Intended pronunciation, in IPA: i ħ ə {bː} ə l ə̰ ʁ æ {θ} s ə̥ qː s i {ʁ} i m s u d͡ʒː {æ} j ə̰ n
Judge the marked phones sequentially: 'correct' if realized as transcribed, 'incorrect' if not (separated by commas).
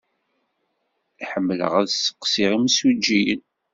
incorrect, incorrect, correct, incorrect